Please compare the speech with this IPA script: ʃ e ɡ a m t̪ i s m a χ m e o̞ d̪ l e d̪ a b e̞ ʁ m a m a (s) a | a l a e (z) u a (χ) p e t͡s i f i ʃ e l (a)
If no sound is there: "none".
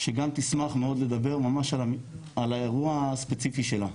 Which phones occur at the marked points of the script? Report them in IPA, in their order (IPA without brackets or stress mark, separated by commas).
ʃ, ʁ, s, a